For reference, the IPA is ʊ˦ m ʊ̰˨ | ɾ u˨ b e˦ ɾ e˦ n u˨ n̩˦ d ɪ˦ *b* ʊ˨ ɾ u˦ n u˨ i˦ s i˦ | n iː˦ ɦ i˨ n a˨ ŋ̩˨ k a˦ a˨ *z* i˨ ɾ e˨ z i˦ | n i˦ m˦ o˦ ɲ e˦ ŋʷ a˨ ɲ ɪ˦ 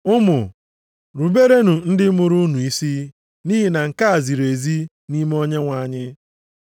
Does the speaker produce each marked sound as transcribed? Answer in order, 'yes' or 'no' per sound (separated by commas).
no, yes